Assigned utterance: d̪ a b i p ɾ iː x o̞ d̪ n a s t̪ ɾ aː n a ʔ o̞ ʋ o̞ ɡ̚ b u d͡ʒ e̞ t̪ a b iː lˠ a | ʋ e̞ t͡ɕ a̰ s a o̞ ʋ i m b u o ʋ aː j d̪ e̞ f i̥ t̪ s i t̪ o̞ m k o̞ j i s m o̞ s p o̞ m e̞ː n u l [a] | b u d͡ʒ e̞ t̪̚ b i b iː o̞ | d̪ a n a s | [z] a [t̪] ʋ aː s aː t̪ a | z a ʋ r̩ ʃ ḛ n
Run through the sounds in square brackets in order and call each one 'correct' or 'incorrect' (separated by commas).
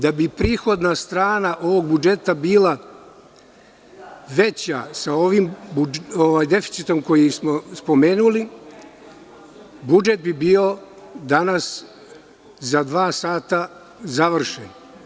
incorrect, correct, incorrect